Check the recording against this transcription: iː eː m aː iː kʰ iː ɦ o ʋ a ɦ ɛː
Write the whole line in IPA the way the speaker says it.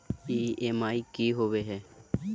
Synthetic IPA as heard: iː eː m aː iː k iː ɦ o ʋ e ɦ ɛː

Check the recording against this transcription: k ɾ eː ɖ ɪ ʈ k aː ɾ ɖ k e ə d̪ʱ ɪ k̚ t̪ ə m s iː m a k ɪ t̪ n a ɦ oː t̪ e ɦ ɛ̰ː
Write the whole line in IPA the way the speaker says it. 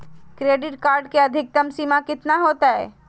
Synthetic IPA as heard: k ɾ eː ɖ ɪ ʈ k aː ɾ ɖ k e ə d̪ʱ ɪ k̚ t̪ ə m s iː m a k ɪ t̪ n a ɦ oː t̪ a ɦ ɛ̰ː

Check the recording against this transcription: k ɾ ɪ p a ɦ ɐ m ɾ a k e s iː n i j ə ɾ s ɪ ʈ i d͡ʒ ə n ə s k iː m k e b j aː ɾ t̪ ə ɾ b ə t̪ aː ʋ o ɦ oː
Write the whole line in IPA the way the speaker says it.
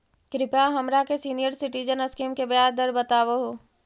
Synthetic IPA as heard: k ɾ ɪ p a ɦ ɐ m ɾ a k e s iː n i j ə ɾ s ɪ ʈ i d͡ʒ ə n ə s k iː m k e b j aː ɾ d̪ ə ɾ b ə t̪ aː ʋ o ɦ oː

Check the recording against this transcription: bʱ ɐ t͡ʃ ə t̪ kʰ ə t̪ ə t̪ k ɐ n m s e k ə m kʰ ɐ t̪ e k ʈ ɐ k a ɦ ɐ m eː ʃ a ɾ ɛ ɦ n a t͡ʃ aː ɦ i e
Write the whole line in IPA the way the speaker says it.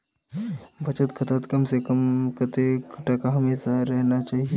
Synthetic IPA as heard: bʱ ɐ t͡ʃ ə t̪ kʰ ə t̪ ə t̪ k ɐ m s e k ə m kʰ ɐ t̪ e k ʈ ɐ k a ɦ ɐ m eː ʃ a ɾ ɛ ɦ n a t͡ʃ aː ɦ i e

